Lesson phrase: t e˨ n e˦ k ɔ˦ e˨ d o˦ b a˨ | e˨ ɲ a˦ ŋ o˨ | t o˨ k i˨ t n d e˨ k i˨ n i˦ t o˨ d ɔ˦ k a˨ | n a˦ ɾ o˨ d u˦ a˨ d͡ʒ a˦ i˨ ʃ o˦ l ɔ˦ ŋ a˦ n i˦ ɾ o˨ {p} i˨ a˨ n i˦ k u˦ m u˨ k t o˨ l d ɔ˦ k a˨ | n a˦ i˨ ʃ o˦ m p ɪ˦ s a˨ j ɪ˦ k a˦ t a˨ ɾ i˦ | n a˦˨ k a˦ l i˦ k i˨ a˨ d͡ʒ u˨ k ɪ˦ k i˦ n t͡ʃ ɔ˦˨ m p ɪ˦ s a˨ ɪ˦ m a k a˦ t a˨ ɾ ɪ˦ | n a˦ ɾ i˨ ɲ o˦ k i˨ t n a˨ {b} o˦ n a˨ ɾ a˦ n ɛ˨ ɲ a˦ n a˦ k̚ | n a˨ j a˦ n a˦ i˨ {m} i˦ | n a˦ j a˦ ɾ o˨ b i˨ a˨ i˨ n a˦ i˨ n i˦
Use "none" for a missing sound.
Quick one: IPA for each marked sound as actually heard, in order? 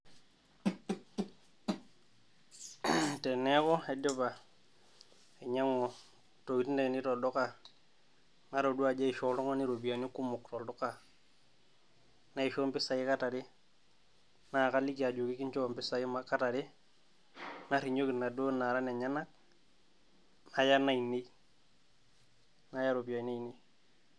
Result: b, d, n

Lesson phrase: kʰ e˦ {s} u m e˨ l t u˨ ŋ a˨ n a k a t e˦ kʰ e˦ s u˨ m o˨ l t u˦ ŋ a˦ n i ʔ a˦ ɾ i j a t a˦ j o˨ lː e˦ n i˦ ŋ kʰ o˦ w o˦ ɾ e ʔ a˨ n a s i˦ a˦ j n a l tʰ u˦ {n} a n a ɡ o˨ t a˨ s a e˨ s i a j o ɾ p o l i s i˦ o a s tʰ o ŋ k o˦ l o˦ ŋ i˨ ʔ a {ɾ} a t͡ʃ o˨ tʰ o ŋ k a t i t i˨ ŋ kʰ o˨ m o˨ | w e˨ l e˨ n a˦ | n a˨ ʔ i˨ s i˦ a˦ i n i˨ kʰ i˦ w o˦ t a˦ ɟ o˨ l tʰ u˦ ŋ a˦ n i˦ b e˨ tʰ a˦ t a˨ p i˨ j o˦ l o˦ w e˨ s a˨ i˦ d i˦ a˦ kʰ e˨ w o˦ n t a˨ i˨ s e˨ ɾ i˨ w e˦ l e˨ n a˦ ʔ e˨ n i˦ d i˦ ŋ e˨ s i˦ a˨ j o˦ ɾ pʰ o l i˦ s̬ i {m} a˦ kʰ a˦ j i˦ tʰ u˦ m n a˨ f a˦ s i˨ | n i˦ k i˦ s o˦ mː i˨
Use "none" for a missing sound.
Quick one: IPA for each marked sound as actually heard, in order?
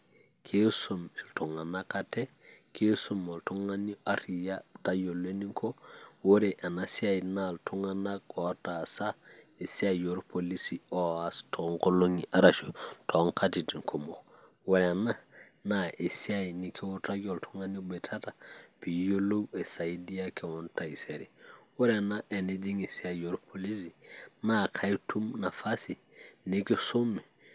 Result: s, ŋ, ɾ, n

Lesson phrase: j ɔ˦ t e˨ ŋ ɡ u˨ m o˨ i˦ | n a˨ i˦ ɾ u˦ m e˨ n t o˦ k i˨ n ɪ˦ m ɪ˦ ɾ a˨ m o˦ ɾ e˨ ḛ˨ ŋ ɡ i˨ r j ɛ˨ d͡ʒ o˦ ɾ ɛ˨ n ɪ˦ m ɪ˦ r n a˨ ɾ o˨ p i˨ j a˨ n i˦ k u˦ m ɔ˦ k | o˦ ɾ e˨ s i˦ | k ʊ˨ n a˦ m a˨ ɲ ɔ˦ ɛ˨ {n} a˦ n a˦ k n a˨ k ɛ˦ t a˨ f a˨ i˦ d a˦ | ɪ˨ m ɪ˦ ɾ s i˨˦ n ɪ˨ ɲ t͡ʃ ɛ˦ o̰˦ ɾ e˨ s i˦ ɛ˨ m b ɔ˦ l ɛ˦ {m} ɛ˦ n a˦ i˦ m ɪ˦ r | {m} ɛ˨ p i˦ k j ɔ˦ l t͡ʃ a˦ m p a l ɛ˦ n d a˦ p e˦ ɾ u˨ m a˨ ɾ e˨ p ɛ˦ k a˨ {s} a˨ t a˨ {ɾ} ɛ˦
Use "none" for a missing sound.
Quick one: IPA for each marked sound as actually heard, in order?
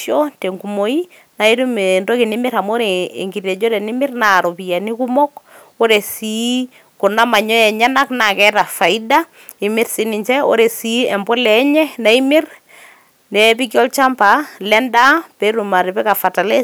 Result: ɲ, ɲ, n, f, l

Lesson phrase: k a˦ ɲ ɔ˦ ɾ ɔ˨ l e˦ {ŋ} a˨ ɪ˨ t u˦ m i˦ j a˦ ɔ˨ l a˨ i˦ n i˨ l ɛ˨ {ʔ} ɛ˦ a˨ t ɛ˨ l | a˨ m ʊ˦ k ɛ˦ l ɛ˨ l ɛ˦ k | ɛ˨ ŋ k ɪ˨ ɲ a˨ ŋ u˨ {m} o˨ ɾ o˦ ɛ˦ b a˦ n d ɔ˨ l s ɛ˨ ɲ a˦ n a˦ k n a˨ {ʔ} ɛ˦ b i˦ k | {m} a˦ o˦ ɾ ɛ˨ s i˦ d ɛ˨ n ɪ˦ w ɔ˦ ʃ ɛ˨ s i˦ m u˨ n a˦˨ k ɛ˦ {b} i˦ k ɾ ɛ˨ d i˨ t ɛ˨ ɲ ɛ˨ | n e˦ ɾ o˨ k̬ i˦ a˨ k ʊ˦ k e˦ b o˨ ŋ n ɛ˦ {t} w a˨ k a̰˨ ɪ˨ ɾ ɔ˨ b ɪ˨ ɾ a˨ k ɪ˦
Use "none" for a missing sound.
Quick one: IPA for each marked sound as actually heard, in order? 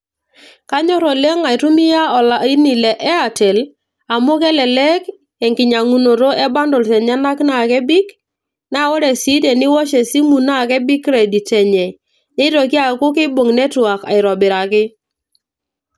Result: ŋ, ʔ, n, k, n, b, t

